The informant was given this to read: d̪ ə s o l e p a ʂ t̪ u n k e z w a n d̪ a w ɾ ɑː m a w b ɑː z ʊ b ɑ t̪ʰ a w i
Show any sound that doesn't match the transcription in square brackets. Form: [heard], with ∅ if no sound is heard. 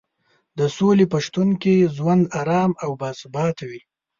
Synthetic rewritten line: d̪ ə s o l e p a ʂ t̪ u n k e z w a n d̪ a [∅] ɾ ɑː m a w b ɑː [s] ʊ b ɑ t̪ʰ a w i